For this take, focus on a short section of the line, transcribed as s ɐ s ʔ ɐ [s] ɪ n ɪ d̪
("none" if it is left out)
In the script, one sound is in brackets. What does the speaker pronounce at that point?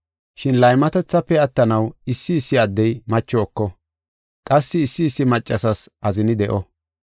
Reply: z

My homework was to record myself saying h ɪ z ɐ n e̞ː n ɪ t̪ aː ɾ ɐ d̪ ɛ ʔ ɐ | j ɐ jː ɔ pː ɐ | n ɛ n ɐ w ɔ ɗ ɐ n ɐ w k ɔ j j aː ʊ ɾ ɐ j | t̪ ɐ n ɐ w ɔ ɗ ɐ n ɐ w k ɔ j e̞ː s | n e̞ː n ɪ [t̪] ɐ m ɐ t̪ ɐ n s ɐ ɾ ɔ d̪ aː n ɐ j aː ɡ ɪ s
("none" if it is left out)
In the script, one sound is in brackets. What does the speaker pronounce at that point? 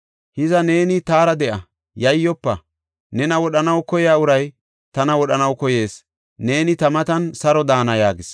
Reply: t̪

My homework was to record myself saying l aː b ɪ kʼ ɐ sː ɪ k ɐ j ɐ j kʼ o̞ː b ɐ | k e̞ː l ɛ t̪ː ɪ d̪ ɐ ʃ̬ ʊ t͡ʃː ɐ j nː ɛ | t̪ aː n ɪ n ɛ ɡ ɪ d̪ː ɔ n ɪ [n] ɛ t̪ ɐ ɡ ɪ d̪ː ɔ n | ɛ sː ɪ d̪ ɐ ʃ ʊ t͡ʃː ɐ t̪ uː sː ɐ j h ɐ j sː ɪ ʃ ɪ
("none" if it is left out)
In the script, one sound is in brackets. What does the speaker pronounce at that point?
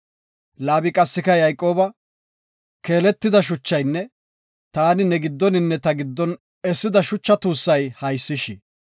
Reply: nː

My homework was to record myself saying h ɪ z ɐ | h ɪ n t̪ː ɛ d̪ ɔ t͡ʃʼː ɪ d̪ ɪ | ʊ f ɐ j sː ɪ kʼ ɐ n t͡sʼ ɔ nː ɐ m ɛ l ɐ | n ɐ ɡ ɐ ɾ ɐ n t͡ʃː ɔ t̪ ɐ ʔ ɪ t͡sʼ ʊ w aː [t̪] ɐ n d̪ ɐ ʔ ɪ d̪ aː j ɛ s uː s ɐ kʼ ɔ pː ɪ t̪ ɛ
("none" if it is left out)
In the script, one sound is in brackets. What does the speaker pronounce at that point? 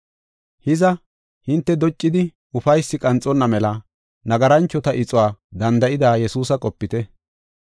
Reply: d̪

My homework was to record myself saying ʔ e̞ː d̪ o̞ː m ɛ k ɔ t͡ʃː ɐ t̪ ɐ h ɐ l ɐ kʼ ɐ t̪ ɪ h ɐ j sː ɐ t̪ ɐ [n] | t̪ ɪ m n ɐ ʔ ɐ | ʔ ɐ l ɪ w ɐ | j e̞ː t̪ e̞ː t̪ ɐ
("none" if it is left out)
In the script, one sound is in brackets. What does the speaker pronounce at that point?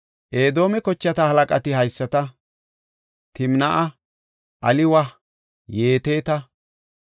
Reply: none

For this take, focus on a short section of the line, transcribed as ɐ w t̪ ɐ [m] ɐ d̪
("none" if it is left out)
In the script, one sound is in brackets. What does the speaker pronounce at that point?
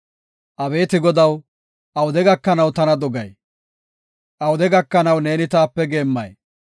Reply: n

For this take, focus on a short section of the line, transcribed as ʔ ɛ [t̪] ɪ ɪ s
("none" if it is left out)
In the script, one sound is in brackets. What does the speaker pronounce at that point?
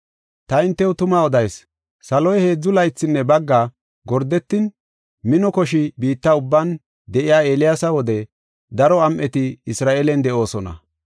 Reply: t̪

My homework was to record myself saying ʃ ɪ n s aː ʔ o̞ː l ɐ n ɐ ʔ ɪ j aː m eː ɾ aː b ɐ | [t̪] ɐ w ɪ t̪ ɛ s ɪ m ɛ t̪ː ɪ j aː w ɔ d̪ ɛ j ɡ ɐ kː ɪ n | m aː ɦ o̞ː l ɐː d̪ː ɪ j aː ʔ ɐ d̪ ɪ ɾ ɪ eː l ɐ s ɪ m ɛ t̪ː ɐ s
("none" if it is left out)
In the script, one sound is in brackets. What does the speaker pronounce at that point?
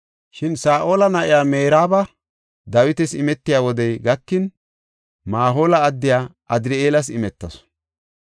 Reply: d̪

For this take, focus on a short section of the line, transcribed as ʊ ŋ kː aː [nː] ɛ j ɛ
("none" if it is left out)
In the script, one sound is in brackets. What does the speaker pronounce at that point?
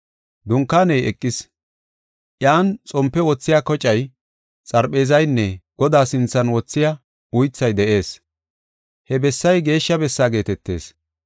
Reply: n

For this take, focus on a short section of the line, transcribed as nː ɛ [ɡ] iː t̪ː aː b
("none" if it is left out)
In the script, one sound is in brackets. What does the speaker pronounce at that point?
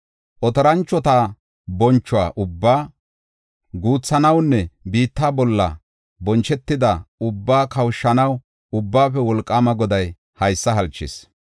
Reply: b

